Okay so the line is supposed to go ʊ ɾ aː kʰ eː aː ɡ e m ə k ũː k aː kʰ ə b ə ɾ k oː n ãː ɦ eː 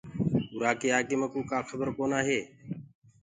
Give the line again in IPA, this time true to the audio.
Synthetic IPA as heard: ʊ ɾ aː k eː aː k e m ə k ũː k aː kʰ ə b ə ɾ k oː n aː ɦ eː